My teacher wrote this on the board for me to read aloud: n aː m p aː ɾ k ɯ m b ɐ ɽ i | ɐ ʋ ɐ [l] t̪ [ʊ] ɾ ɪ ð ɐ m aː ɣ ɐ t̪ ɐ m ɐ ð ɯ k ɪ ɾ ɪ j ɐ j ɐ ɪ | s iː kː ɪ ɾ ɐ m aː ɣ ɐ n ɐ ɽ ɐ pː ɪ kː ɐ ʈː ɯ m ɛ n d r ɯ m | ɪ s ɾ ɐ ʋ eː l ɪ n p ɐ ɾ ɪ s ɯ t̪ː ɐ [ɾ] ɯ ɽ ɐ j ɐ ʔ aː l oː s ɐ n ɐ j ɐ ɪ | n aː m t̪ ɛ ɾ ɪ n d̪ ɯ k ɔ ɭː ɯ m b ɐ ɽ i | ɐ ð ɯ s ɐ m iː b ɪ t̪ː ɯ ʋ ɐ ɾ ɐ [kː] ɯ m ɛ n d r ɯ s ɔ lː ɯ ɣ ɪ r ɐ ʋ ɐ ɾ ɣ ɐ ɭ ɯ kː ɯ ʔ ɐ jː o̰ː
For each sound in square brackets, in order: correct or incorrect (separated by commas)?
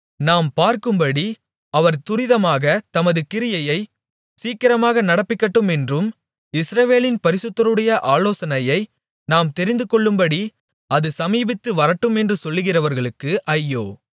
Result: incorrect, correct, correct, incorrect